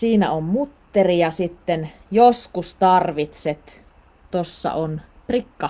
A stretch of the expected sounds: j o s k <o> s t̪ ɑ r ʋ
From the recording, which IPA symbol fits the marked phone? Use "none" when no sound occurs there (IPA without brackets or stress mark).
u